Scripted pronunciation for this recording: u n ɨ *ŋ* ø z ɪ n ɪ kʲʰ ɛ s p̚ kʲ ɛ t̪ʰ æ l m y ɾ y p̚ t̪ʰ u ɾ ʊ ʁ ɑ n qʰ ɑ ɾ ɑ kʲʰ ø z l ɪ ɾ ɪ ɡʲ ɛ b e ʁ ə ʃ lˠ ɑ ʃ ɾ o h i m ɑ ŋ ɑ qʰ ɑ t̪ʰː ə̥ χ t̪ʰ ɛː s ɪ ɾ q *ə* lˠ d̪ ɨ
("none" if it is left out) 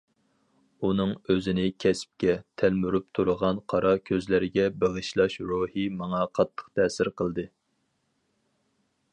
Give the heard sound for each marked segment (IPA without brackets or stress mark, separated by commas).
ŋ, ə